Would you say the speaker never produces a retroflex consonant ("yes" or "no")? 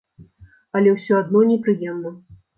yes